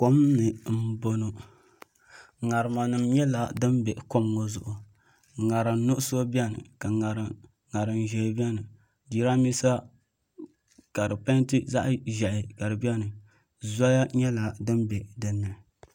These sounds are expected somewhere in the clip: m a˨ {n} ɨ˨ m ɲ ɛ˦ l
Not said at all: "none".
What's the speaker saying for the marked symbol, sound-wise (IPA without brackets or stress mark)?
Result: n